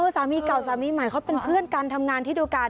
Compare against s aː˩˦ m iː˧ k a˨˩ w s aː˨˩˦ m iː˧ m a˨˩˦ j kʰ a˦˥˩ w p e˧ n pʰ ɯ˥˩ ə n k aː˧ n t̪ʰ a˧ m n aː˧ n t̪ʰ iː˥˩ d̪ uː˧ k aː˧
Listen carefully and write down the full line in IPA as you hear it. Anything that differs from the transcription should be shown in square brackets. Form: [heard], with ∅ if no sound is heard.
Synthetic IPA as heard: s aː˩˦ m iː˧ k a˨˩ w s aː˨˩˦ m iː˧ m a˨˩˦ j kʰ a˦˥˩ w p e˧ n pʰ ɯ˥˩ ə n k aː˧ n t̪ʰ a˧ m [ŋ] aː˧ n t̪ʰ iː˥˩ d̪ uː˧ k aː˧